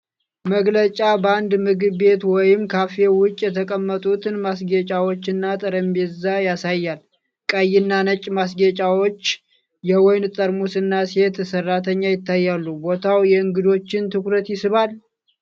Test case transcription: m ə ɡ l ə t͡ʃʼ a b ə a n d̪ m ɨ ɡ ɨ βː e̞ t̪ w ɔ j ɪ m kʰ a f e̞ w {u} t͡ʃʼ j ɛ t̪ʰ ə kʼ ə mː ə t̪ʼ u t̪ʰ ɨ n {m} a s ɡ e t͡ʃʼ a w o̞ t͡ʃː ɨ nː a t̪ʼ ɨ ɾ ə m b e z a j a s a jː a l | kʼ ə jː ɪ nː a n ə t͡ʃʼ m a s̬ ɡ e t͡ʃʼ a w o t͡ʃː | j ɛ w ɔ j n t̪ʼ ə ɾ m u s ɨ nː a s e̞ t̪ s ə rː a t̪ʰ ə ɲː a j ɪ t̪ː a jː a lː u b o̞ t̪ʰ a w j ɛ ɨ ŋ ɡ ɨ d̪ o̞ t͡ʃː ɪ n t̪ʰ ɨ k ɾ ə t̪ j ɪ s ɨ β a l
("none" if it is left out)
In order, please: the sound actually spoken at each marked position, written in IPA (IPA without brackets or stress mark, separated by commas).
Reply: ʊ, m